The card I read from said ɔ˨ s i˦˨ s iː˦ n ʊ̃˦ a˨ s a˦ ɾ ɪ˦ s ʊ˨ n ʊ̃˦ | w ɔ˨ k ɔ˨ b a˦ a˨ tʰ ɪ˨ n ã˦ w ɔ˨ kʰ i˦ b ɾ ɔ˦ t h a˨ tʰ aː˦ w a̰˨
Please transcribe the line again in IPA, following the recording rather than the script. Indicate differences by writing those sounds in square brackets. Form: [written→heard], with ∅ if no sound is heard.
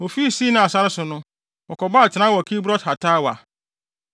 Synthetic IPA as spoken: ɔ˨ [s→f] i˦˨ s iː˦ n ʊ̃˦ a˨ s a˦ ɾ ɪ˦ s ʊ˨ n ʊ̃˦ | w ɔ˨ k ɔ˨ b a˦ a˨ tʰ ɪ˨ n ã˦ w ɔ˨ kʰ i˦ b ɾ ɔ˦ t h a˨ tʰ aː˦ w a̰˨